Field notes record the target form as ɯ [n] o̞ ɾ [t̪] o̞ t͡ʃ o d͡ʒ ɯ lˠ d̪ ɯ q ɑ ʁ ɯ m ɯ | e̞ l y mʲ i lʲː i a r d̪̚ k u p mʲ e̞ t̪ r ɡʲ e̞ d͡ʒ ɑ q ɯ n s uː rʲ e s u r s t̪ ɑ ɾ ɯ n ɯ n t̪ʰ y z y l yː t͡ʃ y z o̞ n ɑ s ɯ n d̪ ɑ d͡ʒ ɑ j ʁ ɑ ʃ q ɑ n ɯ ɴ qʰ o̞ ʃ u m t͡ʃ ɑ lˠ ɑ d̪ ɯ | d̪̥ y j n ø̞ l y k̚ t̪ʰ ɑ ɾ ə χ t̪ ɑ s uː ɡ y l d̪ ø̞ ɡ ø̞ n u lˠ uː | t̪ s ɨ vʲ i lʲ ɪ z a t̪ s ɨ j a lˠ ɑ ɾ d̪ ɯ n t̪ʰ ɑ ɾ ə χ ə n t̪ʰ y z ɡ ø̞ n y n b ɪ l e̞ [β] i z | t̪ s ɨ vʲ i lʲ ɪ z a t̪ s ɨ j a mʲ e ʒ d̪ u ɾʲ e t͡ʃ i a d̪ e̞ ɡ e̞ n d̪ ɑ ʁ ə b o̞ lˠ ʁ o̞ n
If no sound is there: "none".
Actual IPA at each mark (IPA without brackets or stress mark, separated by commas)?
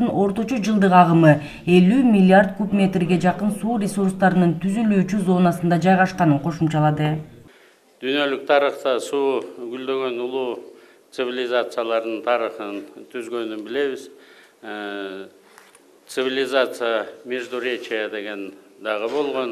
n, t̪, β